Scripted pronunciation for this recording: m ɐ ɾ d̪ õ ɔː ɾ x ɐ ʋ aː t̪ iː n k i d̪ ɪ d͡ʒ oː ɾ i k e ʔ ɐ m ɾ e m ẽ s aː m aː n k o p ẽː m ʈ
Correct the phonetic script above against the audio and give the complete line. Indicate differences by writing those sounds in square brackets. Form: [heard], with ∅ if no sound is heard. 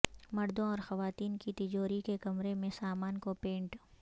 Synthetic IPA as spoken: m ɐ ɾ d̪ õ ɔː ɾ x ɐ ʋ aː t̪ iː n k i [t̪] ɪ d͡ʒ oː ɾ i k e [k] ɐ m ɾ e m ẽ s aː m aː n k o p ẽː [ɳ] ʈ